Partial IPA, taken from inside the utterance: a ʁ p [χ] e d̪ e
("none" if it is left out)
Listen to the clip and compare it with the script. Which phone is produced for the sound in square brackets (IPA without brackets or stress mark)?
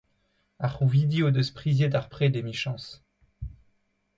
χ